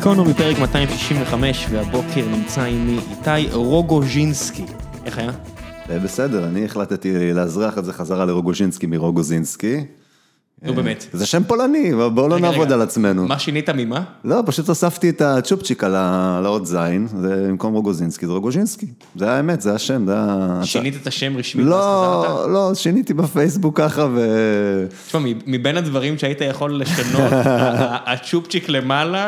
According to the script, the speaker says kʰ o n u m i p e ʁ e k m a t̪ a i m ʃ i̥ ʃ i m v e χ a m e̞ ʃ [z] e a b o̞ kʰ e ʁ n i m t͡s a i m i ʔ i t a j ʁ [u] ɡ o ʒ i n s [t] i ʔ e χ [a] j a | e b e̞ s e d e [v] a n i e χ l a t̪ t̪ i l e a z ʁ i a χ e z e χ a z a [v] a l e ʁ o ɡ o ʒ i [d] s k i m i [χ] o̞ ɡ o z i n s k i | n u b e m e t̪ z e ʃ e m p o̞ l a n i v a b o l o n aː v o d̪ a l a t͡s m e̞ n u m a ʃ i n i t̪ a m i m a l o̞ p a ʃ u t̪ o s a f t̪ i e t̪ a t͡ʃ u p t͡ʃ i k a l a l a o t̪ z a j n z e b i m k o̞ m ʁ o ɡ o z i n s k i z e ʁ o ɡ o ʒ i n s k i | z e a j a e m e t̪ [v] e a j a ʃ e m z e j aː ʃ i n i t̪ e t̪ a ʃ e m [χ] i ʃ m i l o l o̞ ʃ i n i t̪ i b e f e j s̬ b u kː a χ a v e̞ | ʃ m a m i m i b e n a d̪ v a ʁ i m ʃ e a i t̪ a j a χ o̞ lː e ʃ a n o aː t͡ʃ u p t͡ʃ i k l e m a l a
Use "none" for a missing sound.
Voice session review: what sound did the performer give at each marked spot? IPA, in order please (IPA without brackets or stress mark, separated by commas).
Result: v, o, k, a, ʁ, ʁ, n, ʁ, z, ʁ